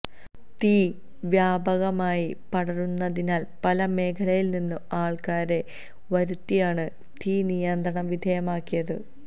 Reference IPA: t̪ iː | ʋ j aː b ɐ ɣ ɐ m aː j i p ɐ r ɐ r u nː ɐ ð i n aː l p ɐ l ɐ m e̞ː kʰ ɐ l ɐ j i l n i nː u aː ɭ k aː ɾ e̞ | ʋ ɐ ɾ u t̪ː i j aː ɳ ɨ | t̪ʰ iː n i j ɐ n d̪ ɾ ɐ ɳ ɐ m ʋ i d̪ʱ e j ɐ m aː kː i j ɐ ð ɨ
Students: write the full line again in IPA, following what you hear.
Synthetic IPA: t̪ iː | ʋ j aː b ɐ ɣ ɐ m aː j i p ɐ ɽ ɐ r u nː ɐ ð i n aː l p ɐ l ɐ m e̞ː kʰ ɐ l ɐ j i l n i nː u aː ɭ k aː ɾ e̞ | ʋ ɐ ɾ u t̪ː i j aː ɳ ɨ | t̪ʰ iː n i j ɐ n d̪ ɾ ɐ ɳ ɐ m ʋ i d̪ʱ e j ɐ m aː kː i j ɐ ð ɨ